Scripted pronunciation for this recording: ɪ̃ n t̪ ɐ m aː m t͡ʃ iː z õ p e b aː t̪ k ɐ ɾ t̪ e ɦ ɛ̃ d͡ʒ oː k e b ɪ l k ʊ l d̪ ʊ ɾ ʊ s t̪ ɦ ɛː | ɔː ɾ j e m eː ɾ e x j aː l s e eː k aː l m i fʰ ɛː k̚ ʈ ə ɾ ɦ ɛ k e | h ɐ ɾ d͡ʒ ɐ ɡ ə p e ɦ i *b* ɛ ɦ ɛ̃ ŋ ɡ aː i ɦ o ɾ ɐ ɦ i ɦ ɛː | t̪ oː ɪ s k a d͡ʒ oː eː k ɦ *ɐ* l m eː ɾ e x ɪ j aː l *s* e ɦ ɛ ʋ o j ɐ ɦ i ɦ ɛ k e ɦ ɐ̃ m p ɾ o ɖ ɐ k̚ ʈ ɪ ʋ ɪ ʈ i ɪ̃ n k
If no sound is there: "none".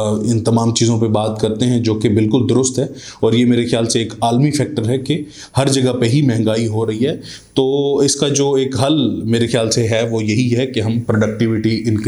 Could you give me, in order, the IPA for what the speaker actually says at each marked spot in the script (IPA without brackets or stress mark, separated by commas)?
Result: m, ɐ, s